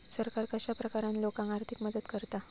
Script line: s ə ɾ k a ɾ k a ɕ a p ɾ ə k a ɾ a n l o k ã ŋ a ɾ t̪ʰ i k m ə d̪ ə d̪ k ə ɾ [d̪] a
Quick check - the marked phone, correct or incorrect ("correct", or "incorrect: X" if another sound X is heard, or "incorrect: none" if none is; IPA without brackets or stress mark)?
incorrect: t̪